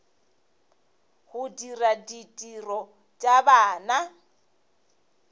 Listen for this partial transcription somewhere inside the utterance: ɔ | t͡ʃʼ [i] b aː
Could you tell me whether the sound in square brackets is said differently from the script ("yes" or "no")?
yes